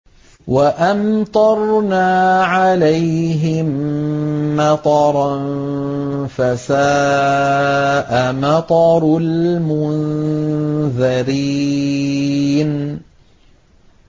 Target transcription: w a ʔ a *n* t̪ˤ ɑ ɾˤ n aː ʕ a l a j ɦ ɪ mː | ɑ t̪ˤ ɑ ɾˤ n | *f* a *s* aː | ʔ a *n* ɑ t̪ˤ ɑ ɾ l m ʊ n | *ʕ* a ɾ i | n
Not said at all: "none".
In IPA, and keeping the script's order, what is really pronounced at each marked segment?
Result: m, f, s, m, ð

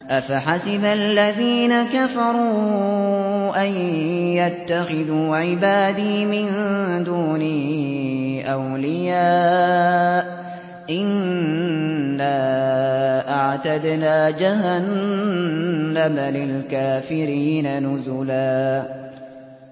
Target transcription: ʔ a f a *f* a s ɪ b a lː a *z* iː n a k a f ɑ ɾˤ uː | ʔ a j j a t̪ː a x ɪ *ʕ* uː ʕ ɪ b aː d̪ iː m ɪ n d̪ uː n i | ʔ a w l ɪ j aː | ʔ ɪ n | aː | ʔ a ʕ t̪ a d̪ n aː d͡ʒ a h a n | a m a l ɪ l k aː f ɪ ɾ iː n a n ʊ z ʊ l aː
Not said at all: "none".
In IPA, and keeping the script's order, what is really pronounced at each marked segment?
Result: ħ, ð, ð

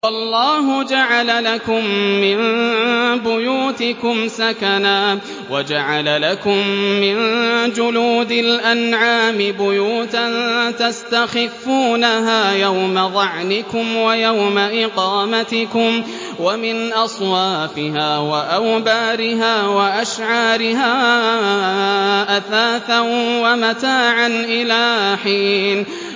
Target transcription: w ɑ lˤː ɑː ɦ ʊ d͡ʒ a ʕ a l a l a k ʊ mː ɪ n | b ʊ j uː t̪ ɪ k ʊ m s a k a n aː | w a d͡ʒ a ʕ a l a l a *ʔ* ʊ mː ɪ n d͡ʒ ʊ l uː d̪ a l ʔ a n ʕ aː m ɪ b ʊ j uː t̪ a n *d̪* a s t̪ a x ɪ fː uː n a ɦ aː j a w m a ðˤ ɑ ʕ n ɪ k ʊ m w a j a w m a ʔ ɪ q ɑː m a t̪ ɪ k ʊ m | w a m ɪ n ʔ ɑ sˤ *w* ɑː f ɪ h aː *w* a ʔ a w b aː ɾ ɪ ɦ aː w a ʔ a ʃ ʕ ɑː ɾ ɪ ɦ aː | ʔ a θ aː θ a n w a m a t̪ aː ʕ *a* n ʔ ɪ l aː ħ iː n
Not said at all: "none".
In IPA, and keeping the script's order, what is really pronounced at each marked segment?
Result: k, t̪, w, w, a

